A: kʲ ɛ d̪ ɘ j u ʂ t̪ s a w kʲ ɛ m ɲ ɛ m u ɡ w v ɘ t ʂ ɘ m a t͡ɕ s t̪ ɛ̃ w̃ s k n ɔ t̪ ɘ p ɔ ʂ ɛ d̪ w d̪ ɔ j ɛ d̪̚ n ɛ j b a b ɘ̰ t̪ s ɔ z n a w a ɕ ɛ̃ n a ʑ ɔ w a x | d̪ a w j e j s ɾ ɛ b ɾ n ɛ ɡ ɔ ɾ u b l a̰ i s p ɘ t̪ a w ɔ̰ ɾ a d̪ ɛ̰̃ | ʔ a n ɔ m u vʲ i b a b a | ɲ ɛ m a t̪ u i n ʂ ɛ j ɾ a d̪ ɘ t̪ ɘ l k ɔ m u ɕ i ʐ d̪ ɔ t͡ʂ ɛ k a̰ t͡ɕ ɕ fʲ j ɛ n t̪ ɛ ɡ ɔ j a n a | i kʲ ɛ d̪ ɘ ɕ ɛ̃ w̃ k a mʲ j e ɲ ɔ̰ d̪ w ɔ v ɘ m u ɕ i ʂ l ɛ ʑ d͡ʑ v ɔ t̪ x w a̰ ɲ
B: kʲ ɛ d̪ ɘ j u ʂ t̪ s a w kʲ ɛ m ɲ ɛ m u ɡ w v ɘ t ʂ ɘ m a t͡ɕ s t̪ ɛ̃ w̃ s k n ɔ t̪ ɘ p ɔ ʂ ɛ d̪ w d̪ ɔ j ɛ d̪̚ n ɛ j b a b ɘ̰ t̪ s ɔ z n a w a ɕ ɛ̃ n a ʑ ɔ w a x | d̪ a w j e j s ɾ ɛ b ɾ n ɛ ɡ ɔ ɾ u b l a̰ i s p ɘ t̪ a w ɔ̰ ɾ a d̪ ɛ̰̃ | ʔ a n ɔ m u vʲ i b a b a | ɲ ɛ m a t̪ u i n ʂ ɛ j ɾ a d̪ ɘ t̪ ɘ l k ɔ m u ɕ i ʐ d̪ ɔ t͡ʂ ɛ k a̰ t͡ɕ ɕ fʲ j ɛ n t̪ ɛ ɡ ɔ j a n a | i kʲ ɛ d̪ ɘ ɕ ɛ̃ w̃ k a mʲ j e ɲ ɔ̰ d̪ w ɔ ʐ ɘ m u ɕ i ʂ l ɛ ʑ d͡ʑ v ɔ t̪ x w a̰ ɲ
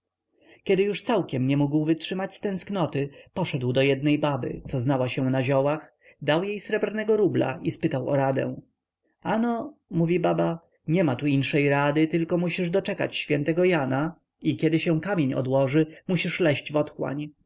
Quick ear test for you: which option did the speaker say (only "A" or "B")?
B